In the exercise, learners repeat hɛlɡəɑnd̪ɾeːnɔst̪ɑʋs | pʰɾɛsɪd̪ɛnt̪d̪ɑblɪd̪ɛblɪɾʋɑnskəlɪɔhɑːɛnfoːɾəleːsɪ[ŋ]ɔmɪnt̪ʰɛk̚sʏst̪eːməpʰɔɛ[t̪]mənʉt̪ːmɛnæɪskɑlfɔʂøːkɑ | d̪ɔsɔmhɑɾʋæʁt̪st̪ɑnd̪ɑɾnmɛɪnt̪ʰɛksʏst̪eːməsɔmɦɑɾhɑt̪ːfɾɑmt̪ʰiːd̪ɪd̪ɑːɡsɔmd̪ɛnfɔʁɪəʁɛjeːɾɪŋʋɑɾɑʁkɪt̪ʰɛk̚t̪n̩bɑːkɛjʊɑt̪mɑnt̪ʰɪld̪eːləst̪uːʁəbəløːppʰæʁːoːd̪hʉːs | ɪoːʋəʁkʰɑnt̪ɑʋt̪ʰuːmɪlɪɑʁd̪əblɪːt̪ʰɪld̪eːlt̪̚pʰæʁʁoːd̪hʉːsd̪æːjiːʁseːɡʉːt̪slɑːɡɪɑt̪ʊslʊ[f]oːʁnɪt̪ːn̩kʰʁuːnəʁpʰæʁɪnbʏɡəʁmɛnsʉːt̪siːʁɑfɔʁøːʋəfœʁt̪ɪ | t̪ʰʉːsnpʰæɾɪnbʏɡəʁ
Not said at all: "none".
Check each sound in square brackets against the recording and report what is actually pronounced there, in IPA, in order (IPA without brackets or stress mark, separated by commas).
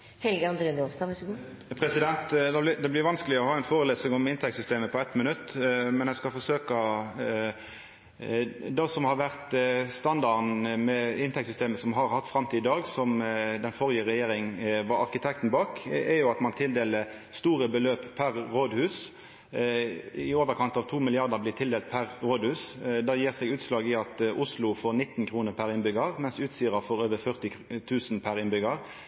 ŋ, t̪, f